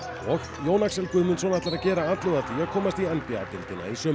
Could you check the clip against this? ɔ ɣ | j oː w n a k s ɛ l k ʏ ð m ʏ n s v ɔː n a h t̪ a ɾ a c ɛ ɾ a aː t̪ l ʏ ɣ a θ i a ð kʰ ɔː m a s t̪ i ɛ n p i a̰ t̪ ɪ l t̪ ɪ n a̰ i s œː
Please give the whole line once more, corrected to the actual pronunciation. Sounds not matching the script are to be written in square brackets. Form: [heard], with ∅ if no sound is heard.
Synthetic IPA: ɔ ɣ | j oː w n a k s ɛ l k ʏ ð m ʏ n s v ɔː n a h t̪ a ɾ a c [ɛː] ɾ a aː t̪ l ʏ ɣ a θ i a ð kʰ ɔː m a s t̪ i ɛ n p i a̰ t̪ ɪ l t̪ ɪ n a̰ i s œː

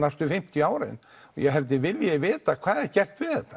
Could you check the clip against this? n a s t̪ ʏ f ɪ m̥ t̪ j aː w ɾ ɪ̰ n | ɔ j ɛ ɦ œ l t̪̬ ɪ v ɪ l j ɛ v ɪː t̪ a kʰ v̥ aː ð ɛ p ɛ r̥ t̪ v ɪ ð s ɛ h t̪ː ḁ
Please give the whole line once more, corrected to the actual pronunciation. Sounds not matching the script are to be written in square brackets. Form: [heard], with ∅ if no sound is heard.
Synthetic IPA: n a s t̪ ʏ f ɪ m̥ t̪ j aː w ɾ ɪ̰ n | ɔ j ɛ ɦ [ɛ] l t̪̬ ɪ v ɪ l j ɛ v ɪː t̪ a kʰ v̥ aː ð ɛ [c] ɛ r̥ t̪ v ɪ ð [θ] ɛ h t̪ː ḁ

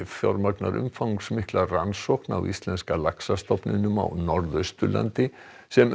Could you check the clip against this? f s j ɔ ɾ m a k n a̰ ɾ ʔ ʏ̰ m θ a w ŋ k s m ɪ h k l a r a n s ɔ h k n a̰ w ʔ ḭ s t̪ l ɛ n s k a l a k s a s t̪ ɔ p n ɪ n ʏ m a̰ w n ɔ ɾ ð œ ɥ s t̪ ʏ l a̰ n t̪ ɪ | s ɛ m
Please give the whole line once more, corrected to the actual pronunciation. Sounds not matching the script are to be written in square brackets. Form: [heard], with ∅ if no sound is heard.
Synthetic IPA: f [θ] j ɔ ɾ m a k n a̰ ɾ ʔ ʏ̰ m [f] a w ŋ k s m ɪ h k l a r a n s ɔ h k n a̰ w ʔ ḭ s t̪ l ɛ n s k a l a k s a s t̪ ɔ p n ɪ n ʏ m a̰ w n ɔ ɾ ð œ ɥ s t̪ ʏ l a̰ n t̪ ɪ | s ɛ m

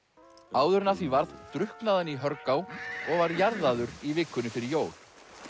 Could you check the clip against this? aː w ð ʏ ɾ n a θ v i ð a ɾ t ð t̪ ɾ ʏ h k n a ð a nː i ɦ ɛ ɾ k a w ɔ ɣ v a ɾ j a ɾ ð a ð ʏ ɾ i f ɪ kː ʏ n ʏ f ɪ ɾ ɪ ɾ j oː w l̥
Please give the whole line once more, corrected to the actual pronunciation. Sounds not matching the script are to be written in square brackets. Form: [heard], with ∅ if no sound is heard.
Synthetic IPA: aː w ð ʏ ɾ n a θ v i [v] a ɾ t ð t̪ ɾ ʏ h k n a ð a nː i ɦ [œ] ɾ k a w ɔ ɣ v a ɾ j a ɾ ð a ð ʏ ɾ i [v] ɪ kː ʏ n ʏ f ɪ ɾ ɪ ɾ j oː w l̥

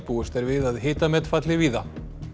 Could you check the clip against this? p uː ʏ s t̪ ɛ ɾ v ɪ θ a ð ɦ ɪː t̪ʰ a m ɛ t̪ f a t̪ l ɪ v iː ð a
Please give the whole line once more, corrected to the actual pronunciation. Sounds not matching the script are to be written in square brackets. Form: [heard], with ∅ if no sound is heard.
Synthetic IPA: p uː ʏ s t̪ ɛ ɾ v ɪ [ð] a ð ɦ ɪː [t̪] a m ɛ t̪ f a t̪ l ɪ v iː ð a

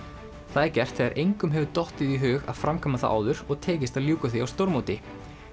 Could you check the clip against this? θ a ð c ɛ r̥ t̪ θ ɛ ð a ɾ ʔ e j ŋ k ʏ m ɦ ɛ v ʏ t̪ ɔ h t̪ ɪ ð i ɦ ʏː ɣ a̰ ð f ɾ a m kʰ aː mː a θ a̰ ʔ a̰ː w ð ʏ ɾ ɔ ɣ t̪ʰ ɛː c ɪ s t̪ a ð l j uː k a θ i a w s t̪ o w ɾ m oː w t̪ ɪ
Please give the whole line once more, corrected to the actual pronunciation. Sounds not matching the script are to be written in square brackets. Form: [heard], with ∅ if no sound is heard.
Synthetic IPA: θ a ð c ɛ r̥ t̪ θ ɛ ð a ɾ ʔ e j ŋ k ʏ m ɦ ɛ v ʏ t̪ ɔ h t̪ ɪ ð i ɦ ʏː ɣ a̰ ð f ɾ a m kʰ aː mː a θ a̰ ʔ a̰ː w ð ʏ ɾ ɔ ɣ t̪ʰ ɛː c ɪ s t̪ a ð l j uː k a θ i a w s t̪ o w ɾ m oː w t̪ ɪ

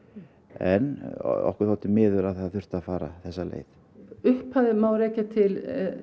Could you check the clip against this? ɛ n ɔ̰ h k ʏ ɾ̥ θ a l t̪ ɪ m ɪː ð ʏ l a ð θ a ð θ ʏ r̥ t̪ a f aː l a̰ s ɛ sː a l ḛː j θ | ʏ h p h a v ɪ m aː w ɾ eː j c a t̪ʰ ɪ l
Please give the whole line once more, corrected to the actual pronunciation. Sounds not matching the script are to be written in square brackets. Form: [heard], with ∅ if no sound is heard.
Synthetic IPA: ɛ n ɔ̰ h k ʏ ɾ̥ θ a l t̪ ɪ m ɪː ð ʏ l a ð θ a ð θ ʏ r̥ t̪ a f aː [ɾ] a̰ [θ] ɛ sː a l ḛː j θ | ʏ h p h a [ð] ɪ m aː w ɾ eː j c a t̪ʰ ɪ l

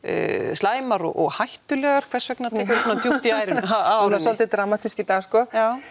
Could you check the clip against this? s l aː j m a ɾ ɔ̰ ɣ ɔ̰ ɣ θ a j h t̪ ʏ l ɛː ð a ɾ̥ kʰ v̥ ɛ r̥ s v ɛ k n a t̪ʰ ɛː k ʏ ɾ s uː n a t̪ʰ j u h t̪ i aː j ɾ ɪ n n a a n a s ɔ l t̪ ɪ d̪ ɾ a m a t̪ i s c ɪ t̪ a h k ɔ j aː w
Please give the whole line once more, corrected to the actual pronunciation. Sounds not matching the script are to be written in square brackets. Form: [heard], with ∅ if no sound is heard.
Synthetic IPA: s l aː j m a ɾ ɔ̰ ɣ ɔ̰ ɣ [h] a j h t̪ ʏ l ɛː [ɣ] a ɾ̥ kʰ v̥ ɛ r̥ s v ɛ k n a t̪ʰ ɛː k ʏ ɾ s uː n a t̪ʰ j u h t̪ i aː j ɾ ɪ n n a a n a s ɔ l t̪ ɪ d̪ ɾ a m a t̪ i s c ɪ t̪ a [s] k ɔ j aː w

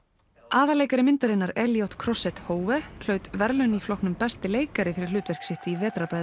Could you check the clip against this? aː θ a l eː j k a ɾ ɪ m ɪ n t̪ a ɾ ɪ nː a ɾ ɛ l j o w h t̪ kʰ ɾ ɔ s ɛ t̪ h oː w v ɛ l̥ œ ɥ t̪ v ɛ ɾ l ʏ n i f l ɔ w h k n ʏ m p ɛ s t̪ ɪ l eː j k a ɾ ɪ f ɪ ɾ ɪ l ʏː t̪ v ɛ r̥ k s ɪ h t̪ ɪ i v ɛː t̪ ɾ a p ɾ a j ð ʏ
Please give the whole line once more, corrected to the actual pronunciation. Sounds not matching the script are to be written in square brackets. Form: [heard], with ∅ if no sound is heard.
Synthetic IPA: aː [ð] a l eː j k a ɾ ɪ m ɪ n t̪ a ɾ ɪ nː a ɾ ɛ l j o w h t̪ kʰ ɾ ɔ s ɛ t̪ h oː w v ɛ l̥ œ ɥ t̪ v ɛ ɾ l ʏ n i f l ɔ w h k n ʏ m p ɛ s t̪ ɪ l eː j k a ɾ ɪ f ɪ ɾ ɪ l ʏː t̪ v ɛ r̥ k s ɪ h t̪ ɪ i v ɛː t̪ ɾ a p ɾ a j ð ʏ

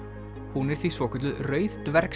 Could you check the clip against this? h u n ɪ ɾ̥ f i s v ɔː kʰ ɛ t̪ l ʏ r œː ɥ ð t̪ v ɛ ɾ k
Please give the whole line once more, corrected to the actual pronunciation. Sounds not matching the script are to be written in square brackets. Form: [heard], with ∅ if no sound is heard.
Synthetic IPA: h u n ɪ ɾ̥ [θ] i s v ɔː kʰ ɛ t̪ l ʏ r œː ɥ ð t̪ v ɛ ɾ k

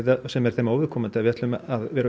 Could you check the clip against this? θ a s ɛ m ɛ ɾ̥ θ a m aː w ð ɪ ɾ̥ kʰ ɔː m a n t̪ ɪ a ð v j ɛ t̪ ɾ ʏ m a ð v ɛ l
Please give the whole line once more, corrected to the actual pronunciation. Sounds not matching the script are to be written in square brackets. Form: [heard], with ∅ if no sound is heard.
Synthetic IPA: [ð] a s ɛ m ɛ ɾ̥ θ [e] m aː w [v] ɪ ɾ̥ kʰ ɔː m a n t̪ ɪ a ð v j ɛ t̪ [l] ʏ m a ð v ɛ [ɾ]

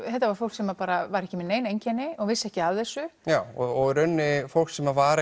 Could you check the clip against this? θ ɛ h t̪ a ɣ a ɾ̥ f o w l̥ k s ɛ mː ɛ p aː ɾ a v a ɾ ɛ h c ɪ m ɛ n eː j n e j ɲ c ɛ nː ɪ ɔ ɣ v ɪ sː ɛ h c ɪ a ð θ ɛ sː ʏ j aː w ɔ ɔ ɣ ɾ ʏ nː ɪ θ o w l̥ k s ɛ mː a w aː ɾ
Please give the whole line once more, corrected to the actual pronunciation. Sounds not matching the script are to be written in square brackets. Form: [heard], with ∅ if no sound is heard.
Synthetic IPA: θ ɛ h t̪ a [v] a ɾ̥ f o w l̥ k s ɛ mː [a] p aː ɾ a v a ɾ ɛ h c ɪ m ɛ n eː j n e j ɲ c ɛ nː ɪ ɔ ɣ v ɪ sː ɛ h c ɪ a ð θ ɛ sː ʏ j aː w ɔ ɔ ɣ ɾ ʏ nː ɪ [f] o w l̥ k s ɛ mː a [v] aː ɾ

